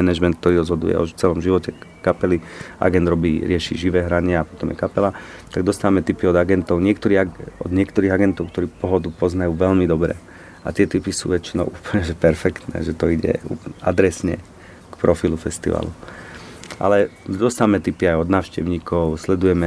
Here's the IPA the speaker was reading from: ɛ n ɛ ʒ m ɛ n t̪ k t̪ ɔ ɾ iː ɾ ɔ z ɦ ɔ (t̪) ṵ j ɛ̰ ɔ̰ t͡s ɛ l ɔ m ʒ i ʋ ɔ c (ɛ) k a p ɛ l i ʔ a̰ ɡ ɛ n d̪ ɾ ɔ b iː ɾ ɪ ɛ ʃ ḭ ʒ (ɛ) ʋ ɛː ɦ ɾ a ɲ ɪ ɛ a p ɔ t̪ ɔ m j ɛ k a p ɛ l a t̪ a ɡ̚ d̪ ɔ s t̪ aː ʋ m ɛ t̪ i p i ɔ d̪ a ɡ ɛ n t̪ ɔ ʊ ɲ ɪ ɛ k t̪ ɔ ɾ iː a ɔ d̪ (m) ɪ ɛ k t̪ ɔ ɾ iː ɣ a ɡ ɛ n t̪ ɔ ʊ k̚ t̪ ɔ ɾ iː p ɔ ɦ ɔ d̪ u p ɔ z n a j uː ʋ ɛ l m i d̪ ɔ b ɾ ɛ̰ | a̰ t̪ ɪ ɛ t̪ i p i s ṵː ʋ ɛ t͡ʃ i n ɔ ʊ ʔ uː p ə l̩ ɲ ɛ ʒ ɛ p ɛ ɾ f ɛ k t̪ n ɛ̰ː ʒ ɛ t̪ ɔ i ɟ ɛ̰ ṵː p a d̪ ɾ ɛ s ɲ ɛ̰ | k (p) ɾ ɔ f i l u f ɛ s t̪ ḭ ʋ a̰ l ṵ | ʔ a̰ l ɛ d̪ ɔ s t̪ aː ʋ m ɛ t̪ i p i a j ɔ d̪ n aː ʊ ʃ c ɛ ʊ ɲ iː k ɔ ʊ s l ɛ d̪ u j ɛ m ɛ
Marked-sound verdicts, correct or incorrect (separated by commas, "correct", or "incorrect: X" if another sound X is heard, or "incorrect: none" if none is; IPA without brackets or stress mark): incorrect: d̪, correct, incorrect: i, incorrect: ɲ, correct